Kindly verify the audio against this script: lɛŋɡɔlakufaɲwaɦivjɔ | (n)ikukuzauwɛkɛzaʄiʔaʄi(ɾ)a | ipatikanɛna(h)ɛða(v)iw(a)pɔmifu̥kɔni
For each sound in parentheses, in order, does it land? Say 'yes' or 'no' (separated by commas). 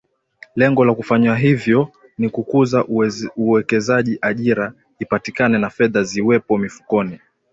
yes, yes, no, no, no